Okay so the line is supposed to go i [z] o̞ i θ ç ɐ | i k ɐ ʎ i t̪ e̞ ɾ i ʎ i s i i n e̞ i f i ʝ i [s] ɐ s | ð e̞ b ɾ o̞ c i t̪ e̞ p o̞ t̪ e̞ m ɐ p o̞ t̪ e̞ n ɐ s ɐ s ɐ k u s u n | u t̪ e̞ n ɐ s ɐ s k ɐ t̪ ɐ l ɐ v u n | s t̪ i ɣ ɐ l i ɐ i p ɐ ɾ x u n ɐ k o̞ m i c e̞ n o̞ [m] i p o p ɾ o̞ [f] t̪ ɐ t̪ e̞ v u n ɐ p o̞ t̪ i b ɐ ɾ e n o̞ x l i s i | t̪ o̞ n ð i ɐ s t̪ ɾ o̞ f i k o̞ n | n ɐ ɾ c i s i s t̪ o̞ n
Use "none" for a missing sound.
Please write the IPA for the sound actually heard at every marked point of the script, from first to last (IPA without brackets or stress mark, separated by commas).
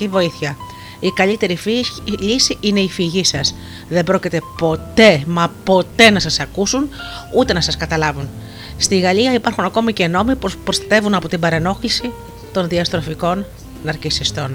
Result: v, s, m, s